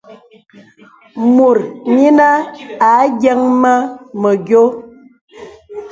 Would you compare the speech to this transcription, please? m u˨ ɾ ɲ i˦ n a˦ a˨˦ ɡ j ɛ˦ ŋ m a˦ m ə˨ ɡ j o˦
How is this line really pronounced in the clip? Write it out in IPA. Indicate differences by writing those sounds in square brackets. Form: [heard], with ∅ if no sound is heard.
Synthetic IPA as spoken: m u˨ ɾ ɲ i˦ n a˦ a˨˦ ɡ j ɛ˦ ŋ m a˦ m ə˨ ɡ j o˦